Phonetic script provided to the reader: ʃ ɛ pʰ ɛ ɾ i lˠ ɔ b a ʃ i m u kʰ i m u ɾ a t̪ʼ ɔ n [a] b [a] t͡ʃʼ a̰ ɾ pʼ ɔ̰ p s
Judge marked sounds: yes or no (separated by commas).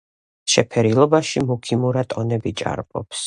no, no